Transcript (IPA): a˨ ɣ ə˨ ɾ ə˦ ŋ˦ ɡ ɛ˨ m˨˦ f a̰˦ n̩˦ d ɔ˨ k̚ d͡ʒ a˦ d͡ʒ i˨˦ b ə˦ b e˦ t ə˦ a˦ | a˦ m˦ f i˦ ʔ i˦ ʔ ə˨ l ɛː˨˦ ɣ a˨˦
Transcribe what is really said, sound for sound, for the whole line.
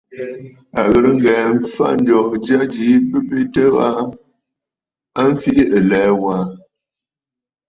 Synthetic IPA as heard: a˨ ɣ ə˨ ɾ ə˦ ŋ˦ ɡ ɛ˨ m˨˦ f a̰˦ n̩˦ d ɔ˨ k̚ d͡ʒ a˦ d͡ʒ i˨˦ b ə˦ b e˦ t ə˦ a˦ | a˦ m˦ f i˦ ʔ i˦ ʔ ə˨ l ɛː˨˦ w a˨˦